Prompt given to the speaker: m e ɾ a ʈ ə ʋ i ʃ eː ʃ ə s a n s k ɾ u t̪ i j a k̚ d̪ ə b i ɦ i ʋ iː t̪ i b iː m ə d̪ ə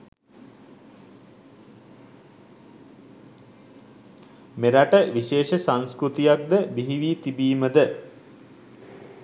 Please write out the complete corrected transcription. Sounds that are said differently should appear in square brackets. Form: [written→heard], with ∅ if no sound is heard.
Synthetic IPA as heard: m e ɾ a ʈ ə ʋ i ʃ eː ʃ ə s a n s k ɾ u t̪ i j a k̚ d̪ ə b i ɦ i ʋ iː t̪ i b iː m ə d̪ ə